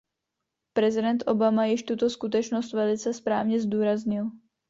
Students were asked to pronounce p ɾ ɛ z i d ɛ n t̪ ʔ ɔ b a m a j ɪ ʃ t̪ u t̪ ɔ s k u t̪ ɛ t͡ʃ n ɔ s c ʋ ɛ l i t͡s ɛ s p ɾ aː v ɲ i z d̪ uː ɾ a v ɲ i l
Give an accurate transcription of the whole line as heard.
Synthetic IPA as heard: p ɾ ɛ z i d ɛ n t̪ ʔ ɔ b a m a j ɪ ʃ t̪ u t̪ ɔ s k u t̪ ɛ t͡ʃ n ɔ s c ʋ ɛ l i t͡s ɛ s p ɾ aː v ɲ ɛ z d̪ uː ɾ a z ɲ i l